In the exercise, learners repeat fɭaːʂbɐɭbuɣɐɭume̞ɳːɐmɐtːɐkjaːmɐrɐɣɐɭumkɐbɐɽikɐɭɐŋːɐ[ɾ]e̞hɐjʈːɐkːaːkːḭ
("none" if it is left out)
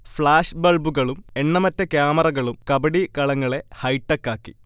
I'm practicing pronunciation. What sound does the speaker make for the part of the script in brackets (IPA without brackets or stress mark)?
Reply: ɭ